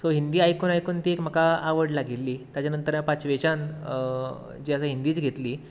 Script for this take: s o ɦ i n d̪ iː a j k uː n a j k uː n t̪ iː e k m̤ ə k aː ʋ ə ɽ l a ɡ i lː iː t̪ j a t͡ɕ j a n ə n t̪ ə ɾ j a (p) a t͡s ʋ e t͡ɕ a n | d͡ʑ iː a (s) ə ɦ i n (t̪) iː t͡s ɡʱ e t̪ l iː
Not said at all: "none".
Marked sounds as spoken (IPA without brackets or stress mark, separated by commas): p, s, d̪